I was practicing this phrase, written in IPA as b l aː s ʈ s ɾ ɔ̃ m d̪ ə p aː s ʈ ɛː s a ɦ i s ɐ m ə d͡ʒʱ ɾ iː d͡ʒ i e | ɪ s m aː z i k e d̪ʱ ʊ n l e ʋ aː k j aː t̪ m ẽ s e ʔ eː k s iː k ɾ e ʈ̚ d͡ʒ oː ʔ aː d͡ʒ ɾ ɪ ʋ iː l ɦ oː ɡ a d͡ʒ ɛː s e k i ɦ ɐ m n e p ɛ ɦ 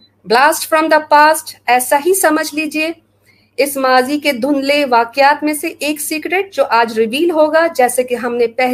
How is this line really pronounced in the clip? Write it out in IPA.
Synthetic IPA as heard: b l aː s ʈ f ɾ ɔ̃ m d̪ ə p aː s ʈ ɛː s a ɦ i s ɐ m ə d͡ʒʱ l iː d͡ʒ i e | ɪ s m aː z i k e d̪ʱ ʊ n l e ʋ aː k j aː t̪ m ẽ s e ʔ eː k s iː k ɾ e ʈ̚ d͡ʒ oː ʔ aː d͡ʒ ɾ ɪ ʋ iː l ɦ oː ɡ a d͡ʒ ɛː s e k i ɦ ɐ m n e p ɛ ɦ